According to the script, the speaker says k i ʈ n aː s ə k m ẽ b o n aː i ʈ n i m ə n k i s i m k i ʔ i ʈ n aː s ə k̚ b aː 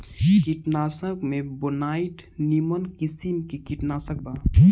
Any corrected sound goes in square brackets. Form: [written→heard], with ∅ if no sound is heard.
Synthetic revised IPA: k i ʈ n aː s ə k m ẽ b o n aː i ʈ n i m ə n k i s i m k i [ʔ→k] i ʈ n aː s ə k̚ b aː